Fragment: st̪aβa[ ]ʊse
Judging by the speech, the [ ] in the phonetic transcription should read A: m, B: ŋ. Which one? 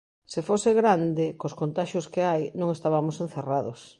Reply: A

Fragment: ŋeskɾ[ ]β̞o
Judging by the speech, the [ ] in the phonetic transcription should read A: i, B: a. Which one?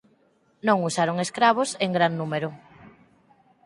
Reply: B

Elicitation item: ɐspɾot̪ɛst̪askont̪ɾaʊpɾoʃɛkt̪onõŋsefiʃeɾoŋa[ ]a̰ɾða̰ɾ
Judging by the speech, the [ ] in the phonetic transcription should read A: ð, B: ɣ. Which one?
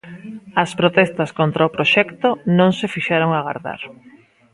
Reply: B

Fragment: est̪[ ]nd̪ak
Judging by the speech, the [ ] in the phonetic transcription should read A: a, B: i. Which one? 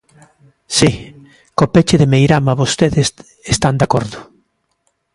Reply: A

